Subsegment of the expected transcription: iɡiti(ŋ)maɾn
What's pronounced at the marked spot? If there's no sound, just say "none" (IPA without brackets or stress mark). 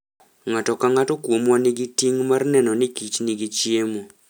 ŋ